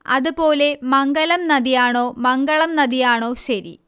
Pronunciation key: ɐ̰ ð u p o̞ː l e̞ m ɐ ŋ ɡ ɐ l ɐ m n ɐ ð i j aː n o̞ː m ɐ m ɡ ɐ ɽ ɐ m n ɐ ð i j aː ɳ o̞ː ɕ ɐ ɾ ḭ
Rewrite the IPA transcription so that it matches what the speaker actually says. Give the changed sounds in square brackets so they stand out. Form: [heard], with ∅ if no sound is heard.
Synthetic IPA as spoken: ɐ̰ ð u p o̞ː l e̞ m ɐ ŋ ɡ ɐ l ɐ m n ɐ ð i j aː [ɳ] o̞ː m ɐ [ŋ] ɡ ɐ [ɭ] ɐ m n ɐ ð i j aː ɳ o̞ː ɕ ɐ ɾ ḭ